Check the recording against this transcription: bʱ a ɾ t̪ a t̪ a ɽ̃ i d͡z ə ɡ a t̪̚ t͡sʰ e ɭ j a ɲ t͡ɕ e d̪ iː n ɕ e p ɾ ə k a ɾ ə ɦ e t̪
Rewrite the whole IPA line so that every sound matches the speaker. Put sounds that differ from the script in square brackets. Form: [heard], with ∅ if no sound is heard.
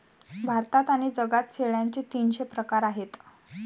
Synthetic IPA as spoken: bʱ a ɾ t̪ a t̪ a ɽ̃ i d͡z ə ɡ a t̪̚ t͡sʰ e ɭ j a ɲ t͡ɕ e [t̪] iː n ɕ e p ɾ ə k a ɾ [a] ɦ e t̪